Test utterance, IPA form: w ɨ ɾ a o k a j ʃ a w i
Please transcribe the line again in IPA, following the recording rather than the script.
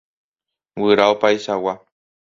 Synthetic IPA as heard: w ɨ ɾ a o p a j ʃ a w a